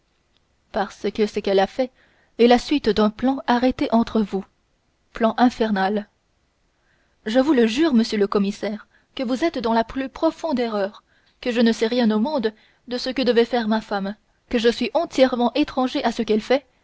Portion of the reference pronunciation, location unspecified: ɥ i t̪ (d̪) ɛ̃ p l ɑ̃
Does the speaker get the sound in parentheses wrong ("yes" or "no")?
no